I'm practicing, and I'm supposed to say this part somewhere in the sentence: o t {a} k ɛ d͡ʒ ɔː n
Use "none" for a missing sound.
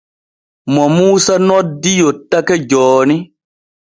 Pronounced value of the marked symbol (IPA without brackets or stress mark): a